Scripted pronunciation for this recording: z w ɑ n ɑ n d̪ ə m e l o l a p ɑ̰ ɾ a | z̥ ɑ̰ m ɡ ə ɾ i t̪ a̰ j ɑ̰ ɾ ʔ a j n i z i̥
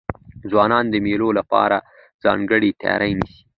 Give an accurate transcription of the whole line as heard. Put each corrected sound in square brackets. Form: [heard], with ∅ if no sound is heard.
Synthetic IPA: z w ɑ n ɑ n d̪ ə m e l o l a p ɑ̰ ɾ a | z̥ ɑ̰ [ŋ] ɡ ə [ɽ] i t̪ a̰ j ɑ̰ ɾ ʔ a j n i [s] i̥

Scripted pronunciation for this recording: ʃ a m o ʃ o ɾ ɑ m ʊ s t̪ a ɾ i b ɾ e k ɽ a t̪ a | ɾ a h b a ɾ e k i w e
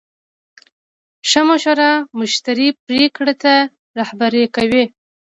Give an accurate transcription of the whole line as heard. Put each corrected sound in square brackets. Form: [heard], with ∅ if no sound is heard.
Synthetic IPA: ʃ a m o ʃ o ɾ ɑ m ʊ [ʃ] t̪ a ɾ i [p] ɾ e k ɽ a t̪ a | ɾ a h b a ɾ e k [a] w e

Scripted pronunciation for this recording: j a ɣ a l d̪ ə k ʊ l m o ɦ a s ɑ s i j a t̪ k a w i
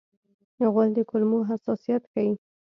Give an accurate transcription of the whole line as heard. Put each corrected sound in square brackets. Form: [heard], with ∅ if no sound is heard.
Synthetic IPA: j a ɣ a l d̪ ə k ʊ l m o ɦ a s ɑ s i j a t̪ k a w i

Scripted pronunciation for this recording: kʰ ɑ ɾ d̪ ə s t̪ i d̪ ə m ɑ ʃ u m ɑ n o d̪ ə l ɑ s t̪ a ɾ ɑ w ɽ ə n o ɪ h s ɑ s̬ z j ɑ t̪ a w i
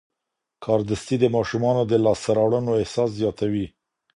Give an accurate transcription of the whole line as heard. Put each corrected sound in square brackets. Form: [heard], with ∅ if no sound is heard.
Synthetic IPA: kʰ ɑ ɾ d̪ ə s t̪ i d̪ ə m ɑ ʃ u m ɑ n o d̪ ə l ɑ s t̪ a ɾ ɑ w ɽ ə n o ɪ h s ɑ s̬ z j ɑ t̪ a w i

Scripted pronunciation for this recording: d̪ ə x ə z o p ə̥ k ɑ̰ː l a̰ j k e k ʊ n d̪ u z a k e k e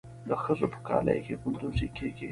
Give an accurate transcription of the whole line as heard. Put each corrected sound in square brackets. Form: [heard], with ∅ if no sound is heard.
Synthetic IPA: d̪ ə x ə z o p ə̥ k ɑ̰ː l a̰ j k e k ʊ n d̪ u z [i] k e k e

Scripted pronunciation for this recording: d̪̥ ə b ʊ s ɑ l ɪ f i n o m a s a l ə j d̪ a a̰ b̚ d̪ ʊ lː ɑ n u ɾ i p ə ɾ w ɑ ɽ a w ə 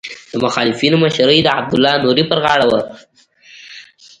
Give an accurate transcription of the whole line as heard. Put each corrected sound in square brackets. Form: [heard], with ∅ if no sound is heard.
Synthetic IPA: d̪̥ ə [m] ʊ [x] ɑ l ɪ f i n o m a [ʃ] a [ɾ] ə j d̪ [ə] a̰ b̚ d̪ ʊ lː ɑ n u ɾ i p ə ɾ [ɣ] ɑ ɽ a w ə

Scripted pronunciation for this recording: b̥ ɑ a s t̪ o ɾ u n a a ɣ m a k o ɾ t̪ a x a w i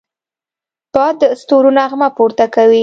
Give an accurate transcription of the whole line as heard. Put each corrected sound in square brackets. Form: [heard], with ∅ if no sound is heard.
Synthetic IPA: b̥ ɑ [ə] s t̪ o ɾ u n a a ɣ m a [p] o ɾ t̪ a [k] a w i

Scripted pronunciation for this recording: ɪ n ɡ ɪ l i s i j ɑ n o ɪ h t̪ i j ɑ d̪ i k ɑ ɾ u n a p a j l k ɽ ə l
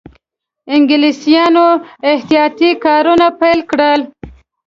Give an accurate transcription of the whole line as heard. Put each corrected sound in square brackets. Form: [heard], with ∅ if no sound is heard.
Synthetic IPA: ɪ [ŋ] ɡ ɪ l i s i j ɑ n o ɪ h t̪ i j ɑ [t̪] i k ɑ ɾ u n a p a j l k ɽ ə l

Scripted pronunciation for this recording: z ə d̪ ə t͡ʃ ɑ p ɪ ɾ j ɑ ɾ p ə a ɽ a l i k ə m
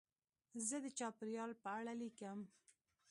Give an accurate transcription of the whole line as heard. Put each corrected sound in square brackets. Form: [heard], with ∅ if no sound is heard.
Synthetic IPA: z ə d̪ ə t͡ʃ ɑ p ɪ ɾ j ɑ [l] p ə a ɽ a l i k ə m

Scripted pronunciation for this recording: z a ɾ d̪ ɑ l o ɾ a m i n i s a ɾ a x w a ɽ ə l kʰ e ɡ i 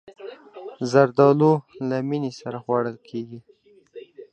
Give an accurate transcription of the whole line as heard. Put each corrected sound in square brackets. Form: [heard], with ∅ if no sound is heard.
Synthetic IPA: z a ɾ d̪ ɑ l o [l] a m i n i s a ɾ a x w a ɽ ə l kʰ e ɡ i

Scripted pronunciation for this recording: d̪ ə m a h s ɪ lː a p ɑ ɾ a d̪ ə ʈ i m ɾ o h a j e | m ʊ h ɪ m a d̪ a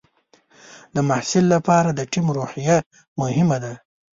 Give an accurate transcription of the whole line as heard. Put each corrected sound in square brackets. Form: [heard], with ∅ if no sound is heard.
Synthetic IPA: d̪ ə m a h s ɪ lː a p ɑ ɾ a d̪ ə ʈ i m ɾ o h [i] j [a] | m ʊ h ɪ m a d̪ a

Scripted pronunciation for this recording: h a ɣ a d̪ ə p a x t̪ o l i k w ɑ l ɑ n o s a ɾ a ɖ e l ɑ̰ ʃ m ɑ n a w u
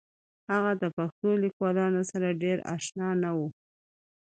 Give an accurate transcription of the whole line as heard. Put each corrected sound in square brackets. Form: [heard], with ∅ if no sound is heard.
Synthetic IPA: h a ɣ a d̪ ə p a x t̪ o l i k w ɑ l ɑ n o s a ɾ a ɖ e [ɾ] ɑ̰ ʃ [n] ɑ n a w u

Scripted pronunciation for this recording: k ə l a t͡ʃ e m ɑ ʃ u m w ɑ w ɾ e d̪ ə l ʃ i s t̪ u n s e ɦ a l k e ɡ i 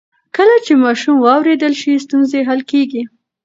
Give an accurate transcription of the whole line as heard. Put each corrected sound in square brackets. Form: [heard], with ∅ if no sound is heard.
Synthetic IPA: k ə l a t͡ʃ e m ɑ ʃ u m w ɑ w ɾ e d̪ ə l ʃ i s t̪ u n [z] e ɦ a l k e ɡ i

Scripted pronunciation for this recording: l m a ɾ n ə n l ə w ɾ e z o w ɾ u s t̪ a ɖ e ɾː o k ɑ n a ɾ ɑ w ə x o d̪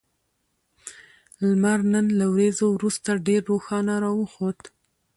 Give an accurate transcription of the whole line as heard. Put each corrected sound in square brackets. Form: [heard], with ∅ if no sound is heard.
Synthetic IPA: l m a ɾ n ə n l [a] w ɾ e z o w ɾ u s t̪ a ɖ e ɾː o [x] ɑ n a ɾ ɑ w ə x o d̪

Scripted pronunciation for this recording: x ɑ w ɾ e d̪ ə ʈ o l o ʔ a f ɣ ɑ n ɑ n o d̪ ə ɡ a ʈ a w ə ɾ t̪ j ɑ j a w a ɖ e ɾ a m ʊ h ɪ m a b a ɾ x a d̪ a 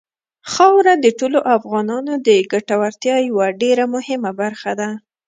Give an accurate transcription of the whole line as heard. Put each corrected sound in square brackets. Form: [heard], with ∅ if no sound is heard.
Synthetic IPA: x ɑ w ɾ [a] d̪ ə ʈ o l o ʔ a f ɣ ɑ n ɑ n o d̪ ə ɡ a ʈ a w [a] ɾ t̪ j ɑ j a w a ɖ e ɾ a m ʊ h ɪ m a b a ɾ x a d̪ a

